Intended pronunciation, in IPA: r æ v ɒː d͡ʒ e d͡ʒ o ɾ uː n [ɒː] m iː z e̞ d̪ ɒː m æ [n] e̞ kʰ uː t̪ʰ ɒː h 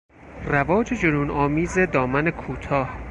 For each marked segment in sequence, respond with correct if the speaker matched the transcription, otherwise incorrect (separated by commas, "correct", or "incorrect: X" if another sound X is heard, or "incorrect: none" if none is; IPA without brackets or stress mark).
correct, correct